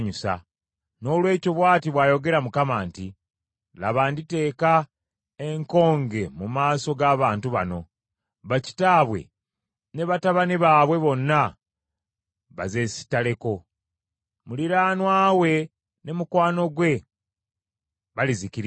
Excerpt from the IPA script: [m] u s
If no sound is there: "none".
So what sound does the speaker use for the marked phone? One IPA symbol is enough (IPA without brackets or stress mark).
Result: ɲ